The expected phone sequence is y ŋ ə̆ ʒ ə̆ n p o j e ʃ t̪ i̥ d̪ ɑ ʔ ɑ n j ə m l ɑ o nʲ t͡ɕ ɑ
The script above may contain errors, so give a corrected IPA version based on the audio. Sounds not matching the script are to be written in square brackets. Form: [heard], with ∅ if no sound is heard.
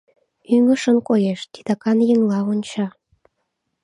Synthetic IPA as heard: y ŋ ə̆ [ʃ] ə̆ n [k] o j e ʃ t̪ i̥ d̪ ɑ [k] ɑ n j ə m l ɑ o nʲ t͡ɕ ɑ